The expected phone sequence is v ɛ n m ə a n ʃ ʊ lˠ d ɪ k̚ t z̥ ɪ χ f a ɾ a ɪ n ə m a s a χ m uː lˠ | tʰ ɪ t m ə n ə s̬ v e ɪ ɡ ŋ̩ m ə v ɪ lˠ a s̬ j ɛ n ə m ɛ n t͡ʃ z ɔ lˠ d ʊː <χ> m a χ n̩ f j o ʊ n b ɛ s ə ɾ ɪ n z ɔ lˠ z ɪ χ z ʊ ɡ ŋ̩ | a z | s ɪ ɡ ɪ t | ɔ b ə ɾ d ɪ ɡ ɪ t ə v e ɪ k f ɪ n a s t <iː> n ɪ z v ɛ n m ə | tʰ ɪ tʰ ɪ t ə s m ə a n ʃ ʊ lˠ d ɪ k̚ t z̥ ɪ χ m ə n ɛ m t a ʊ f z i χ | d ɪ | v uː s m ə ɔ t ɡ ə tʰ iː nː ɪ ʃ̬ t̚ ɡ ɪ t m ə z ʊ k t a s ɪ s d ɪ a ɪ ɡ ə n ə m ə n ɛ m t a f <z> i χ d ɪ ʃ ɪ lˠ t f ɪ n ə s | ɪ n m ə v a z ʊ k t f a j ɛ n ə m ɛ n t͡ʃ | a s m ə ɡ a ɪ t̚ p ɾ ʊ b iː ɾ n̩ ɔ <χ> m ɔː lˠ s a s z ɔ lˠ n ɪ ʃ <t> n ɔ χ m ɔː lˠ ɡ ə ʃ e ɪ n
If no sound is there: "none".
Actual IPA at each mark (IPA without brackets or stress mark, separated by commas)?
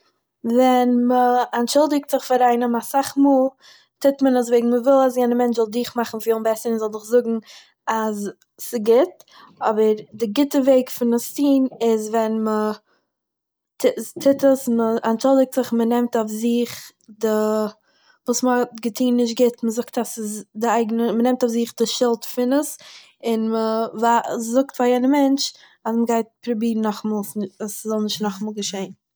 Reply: χ, iː, z, χ, t